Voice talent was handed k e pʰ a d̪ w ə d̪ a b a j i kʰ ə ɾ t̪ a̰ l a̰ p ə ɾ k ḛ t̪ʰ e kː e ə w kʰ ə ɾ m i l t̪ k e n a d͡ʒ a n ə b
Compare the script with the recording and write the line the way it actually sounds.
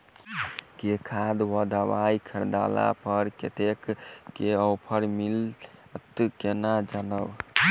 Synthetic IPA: k e kʰ a d̪ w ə d̪ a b a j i kʰ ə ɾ d̪ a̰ l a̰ p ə ɾ k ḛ t̪ e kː e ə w pʰ ə ɾ m i l t̪ k e n a d͡ʒ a n ə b